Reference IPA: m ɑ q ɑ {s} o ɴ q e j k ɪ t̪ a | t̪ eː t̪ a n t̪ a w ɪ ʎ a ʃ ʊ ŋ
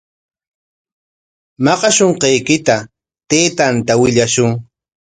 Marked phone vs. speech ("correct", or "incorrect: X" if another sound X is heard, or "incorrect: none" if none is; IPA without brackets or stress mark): incorrect: ʃ